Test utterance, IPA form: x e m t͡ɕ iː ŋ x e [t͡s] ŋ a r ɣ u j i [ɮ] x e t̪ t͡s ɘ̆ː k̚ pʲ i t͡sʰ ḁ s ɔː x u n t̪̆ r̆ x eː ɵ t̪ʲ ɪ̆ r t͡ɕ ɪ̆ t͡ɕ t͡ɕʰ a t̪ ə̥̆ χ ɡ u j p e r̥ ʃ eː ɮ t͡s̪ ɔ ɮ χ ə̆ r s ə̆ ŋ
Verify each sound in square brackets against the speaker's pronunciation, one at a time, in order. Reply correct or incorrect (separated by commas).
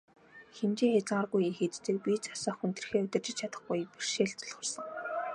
correct, incorrect